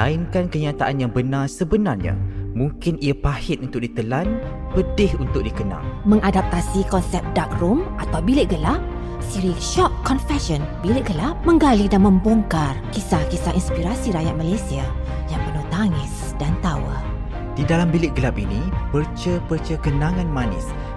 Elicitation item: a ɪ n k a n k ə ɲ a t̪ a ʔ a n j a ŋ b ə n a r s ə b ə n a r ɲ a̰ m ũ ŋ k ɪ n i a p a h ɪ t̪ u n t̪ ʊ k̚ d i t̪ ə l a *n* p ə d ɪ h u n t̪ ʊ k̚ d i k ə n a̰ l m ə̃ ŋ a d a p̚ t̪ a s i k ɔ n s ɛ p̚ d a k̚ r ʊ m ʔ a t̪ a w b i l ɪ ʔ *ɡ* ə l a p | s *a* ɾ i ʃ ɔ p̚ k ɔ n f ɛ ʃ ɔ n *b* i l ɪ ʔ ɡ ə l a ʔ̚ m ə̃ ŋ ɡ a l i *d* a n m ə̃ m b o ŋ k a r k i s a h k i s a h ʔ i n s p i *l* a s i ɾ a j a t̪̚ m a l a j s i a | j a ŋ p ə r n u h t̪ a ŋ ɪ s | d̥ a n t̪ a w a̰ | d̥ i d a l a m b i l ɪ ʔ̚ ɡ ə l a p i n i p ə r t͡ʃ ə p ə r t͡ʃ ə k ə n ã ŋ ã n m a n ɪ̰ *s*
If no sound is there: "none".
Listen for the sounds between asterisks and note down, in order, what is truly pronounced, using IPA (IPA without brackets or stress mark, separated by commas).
n, ɡ, i, b, d, ɾ, s